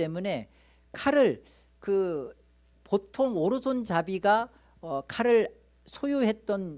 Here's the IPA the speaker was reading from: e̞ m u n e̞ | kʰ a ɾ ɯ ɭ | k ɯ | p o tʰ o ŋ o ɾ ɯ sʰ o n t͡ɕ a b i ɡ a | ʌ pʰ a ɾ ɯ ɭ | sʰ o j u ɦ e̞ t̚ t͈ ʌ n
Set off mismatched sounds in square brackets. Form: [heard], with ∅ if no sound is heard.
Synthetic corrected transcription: e̞ m u n e̞ | kʰ a ɾ ɯ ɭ | k ɯ | p o tʰ o ŋ o ɾ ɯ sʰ o n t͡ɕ a b i ɡ a | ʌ [kʰ] a ɾ ɯ ɭ | sʰ o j u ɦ e̞ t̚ t͈ ʌ n